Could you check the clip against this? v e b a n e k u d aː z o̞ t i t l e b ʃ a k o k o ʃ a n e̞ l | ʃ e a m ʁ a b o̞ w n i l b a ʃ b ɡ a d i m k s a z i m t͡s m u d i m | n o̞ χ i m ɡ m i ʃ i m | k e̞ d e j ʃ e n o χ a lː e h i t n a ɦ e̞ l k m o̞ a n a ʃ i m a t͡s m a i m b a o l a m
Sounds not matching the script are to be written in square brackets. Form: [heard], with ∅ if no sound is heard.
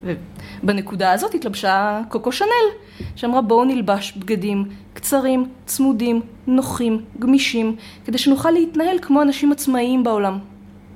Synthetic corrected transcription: v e b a n e k u d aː z o̞ t i t l [a] b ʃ a k o k o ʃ a n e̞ l | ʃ e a m ʁ a b o̞ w n i l b a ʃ b ɡ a d i m k [t͡s] a [ʁ] i m t͡s m u d i m | n o̞ χ i m ɡ m i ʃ i m | k e̞ d e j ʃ e n [u] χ a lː e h i t n a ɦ e̞ l k m o̞ a n a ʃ i m a t͡s m a i m b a o l a m